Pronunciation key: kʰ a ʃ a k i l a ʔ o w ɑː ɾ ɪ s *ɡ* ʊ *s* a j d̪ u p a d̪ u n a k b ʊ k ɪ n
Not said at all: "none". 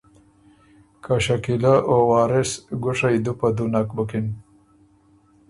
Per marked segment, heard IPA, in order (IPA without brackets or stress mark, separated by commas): ɡ, ʂ